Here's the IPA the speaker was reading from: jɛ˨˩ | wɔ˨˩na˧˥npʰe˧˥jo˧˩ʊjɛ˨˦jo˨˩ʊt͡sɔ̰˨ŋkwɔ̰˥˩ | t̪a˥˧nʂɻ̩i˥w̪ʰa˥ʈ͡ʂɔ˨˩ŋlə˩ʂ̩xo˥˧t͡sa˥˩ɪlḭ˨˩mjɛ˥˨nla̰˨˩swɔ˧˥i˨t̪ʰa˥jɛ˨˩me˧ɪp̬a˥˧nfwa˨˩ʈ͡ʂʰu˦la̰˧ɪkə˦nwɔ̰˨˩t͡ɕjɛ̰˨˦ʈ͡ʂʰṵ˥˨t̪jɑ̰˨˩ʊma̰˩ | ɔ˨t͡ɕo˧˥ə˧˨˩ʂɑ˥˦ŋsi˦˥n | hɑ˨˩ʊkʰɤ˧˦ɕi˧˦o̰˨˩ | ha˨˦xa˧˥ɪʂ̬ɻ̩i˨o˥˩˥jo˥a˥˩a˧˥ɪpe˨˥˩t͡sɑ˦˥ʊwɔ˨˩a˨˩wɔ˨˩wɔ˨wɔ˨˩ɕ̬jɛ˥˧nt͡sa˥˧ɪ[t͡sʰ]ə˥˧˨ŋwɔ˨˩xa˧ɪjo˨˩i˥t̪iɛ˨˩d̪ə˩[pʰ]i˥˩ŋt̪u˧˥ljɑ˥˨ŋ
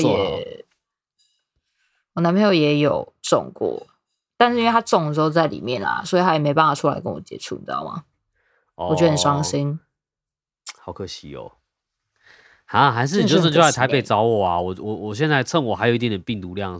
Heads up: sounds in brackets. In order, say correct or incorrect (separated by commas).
correct, incorrect